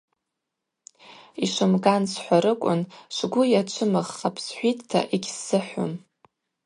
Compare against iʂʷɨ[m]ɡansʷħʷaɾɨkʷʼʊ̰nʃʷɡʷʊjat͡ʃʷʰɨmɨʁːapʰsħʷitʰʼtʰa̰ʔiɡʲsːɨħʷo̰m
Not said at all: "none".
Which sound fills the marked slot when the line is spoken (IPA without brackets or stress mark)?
m